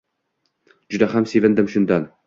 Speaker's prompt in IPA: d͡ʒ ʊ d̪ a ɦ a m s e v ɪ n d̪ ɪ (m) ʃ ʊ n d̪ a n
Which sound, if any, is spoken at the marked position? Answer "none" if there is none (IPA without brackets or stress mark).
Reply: m